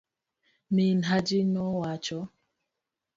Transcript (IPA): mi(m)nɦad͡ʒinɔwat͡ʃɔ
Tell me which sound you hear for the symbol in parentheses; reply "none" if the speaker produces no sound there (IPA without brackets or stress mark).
none